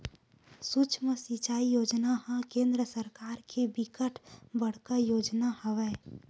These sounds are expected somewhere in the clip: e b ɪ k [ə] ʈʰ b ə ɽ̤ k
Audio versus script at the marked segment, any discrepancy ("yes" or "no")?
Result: no